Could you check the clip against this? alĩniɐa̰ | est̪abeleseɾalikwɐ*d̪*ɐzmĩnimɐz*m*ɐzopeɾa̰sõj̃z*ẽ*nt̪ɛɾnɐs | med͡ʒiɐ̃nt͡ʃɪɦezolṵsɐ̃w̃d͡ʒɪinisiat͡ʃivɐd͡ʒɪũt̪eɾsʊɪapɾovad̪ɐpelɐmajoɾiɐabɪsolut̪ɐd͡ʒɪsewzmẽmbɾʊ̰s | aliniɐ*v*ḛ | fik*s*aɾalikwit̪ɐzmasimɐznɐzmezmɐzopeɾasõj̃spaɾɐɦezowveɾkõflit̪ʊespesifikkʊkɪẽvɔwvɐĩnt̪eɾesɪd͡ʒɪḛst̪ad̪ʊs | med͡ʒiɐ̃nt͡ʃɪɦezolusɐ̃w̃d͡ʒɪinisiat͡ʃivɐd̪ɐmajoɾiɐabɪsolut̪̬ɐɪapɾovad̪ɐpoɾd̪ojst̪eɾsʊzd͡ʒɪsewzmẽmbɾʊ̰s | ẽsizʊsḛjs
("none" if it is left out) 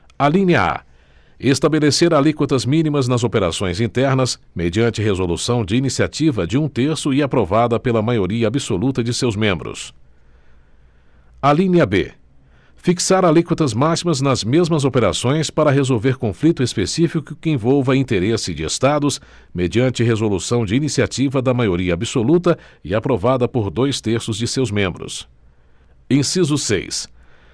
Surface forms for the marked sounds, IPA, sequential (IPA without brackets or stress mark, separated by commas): t̪, n, ĩ, b, s